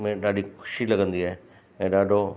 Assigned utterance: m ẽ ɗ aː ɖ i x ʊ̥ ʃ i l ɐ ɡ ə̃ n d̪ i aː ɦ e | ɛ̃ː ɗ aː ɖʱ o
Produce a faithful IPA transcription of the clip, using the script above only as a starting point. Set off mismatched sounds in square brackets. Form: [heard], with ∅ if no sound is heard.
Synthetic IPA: m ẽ ɗ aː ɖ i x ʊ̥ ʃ i l ɐ ɡ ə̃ n d̪ i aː ɦ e | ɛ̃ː ɗ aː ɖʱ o

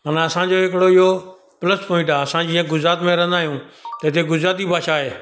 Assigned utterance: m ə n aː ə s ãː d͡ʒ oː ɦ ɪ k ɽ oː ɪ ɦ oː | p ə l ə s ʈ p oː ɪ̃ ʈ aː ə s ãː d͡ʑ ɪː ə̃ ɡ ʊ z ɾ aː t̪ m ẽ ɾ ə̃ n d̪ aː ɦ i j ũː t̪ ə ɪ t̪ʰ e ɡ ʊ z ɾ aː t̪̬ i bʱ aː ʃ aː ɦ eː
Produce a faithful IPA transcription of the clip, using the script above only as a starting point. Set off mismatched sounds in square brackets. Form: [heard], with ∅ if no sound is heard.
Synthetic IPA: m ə n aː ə s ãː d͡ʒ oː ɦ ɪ k ɽ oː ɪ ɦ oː | p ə l ə s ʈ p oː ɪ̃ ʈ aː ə s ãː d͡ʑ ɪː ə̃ ɡ ʊ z ɾ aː t̪ m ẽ ɾ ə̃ n d̪ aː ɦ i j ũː t̪ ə ɪ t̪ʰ e ɡ ʊ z ɾ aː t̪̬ i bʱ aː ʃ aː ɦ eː

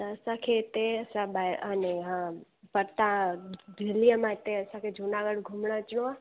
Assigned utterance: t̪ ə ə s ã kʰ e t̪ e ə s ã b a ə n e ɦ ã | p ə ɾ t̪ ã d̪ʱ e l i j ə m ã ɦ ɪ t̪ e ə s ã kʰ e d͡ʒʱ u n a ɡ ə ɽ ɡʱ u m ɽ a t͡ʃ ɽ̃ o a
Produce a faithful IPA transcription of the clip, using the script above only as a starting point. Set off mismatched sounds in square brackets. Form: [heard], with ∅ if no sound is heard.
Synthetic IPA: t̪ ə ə s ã kʰ e t̪ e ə s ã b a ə n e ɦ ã | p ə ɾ t̪ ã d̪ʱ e l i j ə m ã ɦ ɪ t̪ e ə s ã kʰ e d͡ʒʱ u n a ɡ ə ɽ ɡʱ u m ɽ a t͡ʃ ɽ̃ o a

